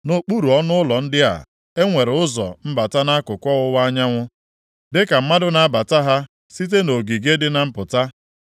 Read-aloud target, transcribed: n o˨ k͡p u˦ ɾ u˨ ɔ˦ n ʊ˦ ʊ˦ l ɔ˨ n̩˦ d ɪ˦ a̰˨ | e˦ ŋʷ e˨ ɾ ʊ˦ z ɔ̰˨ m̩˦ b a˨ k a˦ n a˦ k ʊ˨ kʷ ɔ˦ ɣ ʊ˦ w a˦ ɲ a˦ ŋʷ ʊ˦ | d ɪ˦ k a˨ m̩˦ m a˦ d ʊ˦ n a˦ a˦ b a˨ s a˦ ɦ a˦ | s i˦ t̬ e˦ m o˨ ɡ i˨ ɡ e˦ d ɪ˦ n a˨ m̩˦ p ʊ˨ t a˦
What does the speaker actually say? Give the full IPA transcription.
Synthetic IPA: n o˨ k͡p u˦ ɾ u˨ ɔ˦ n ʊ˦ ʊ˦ l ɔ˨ n̩˦ d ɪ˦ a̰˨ | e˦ ŋʷ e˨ ɾ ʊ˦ z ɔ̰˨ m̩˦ b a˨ t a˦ n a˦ k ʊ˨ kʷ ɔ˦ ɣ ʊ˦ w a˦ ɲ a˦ ŋʷ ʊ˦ | d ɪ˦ k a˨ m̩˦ m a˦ d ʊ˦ n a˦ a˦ b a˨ t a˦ ɦ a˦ | s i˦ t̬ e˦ n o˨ ɡ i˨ ɡ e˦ d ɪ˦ n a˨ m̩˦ p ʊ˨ t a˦